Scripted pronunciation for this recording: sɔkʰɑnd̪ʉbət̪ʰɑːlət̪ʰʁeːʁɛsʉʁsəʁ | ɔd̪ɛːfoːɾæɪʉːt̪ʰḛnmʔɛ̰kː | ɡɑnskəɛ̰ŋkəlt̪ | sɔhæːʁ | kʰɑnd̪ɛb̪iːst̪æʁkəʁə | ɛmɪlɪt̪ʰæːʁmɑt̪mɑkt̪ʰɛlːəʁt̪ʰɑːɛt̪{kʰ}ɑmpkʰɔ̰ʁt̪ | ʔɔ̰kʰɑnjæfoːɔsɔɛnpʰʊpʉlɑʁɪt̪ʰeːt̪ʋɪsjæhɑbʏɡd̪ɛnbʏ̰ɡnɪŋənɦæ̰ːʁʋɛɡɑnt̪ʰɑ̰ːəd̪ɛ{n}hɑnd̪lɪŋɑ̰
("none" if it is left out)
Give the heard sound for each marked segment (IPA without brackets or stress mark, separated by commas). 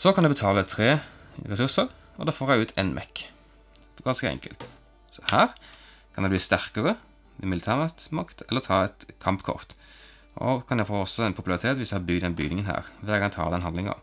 kʰ, n